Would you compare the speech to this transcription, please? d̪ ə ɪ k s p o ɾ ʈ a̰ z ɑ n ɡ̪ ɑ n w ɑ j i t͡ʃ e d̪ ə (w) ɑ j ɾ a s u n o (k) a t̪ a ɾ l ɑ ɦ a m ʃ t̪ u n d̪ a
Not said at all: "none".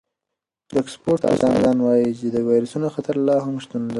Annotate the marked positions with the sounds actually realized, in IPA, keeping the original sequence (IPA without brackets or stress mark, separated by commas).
w, x